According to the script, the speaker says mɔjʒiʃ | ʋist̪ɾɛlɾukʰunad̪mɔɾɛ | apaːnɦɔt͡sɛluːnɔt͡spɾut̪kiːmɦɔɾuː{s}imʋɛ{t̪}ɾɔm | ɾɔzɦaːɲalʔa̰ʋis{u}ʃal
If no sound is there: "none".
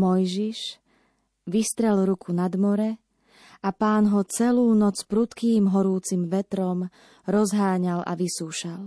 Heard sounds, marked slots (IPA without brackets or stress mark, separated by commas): t͡s, t̪, uː